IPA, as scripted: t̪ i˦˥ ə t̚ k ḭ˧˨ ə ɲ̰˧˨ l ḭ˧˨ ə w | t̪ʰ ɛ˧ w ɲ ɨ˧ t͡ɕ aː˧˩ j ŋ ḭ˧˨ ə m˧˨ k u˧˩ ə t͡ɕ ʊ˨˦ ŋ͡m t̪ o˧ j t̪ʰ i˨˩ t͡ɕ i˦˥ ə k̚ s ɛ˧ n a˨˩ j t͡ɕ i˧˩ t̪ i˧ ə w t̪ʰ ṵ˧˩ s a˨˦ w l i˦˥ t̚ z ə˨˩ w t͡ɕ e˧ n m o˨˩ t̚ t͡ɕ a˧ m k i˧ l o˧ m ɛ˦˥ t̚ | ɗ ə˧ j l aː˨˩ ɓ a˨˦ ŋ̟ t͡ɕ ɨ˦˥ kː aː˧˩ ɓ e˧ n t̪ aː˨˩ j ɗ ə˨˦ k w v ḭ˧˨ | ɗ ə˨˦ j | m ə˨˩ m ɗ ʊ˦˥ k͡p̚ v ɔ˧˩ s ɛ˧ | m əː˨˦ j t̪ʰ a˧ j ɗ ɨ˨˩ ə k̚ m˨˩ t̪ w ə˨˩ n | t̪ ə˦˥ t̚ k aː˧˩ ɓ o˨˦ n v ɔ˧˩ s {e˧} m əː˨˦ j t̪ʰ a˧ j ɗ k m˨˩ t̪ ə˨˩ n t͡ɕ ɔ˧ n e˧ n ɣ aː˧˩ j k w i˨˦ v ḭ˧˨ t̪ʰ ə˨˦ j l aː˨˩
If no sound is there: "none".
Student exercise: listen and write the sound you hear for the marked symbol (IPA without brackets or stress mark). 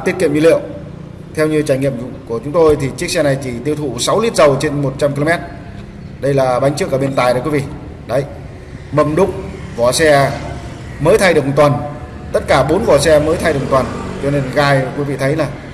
ɛ˧